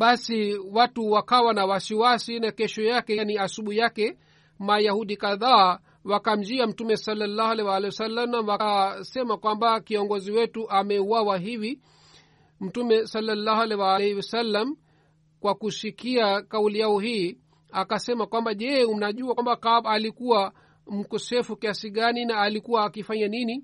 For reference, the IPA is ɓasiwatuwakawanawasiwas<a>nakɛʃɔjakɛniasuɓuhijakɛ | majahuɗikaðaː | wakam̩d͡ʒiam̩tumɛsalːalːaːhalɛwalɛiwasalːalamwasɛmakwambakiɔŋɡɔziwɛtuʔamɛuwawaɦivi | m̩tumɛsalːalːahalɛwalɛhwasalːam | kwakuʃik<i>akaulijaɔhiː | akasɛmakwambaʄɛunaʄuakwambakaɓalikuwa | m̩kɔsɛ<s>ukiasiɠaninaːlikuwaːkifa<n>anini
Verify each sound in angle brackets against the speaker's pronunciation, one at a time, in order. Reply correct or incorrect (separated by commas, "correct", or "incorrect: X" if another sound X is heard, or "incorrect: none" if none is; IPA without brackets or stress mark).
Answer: incorrect: i, correct, incorrect: f, incorrect: ɲ